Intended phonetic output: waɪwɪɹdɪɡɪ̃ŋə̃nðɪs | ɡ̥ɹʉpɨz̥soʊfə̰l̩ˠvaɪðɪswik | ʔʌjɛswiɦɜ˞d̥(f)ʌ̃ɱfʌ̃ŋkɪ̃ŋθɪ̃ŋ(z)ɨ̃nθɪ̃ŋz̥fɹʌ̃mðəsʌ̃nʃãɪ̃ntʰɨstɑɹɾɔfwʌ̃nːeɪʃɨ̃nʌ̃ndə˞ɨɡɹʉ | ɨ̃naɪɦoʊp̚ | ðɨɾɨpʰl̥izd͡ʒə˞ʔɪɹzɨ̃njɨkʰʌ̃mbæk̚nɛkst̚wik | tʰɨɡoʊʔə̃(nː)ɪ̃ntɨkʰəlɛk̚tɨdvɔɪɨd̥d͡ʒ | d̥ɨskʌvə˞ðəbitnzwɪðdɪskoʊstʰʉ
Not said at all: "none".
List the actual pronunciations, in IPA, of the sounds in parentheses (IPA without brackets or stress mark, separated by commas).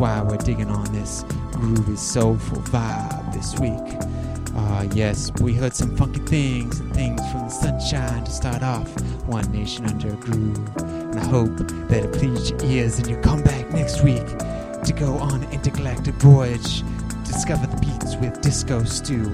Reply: s, z, n